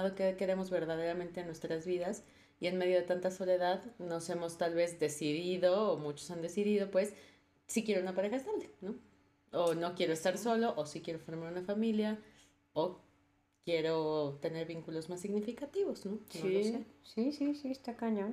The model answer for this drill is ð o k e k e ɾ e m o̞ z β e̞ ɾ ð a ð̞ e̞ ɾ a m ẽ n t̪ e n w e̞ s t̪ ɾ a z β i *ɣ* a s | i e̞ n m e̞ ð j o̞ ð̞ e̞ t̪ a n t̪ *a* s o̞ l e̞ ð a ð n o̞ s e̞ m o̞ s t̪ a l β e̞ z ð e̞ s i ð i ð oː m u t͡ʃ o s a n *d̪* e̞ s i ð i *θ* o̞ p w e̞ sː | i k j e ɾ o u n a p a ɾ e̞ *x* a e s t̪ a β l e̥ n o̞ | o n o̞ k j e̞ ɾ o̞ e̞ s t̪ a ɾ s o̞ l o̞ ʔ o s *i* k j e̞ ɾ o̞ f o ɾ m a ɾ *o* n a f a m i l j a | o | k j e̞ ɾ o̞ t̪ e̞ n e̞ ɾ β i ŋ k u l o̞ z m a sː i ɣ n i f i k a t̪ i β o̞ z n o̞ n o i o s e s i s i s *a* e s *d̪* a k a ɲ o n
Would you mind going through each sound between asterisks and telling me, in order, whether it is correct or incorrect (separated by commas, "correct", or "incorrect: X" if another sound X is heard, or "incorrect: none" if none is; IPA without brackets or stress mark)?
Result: incorrect: ð, correct, correct, incorrect: ð, correct, correct, incorrect: u, incorrect: i, incorrect: t̪